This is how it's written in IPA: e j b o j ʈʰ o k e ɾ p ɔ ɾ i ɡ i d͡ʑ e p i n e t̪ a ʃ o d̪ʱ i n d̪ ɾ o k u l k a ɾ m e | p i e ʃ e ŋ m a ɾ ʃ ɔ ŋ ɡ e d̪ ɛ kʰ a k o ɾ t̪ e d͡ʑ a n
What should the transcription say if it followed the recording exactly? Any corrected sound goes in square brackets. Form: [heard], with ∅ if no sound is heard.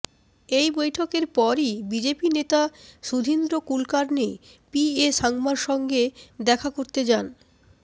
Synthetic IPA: e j b o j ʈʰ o k e ɾ p ɔ ɾ i [b] i d͡ʑ e p i n e t̪ a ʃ [u] d̪ʱ i n d̪ ɾ o k u l k a ɾ [n] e | p i e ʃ [a] ŋ m a ɾ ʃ ɔ ŋ ɡ e d̪ ɛ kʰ a k o ɾ t̪ e d͡ʑ a n